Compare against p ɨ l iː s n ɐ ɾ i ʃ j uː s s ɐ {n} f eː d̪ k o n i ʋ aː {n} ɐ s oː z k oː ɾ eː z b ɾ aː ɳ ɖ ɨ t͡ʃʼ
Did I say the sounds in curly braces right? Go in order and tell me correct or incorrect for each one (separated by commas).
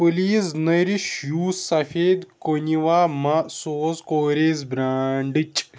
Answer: incorrect, incorrect